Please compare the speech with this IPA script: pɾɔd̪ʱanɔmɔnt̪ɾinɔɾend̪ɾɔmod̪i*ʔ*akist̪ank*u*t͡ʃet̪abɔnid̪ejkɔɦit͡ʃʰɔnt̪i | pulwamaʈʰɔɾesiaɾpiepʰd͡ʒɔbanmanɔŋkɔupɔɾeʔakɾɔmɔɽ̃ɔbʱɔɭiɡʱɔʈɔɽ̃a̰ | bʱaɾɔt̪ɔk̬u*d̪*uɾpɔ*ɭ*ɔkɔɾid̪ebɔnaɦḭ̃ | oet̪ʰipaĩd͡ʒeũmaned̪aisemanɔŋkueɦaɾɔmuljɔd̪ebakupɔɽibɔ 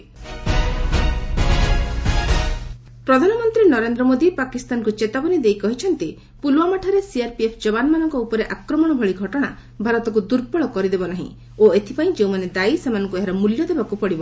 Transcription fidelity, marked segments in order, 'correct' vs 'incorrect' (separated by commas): incorrect, correct, correct, correct